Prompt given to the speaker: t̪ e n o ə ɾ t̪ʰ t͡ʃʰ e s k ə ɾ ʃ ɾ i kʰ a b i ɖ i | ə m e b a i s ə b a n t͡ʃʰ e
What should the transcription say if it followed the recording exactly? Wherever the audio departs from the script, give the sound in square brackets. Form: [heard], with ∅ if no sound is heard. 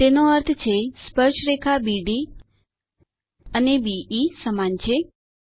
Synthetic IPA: t̪ e n o ə ɾ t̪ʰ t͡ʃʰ e s [p] ə ɾ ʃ ɾ [e] kʰ a b i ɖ i | ə [n] e b [i] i s ə [m] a n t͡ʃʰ e